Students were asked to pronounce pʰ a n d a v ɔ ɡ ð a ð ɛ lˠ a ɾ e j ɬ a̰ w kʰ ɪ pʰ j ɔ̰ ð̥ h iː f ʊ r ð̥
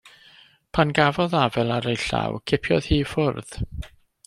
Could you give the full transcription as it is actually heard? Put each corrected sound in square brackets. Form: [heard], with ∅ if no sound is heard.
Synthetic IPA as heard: pʰ a n [ɡ] a v ɔ [∅] ð a [v] ɛ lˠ a ɾ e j ɬ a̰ w kʰ ɪ pʰ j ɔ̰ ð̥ h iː f ʊ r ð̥